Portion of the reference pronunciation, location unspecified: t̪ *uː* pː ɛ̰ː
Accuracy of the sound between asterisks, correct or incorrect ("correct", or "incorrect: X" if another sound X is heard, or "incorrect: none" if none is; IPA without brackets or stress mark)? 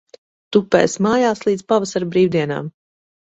incorrect: u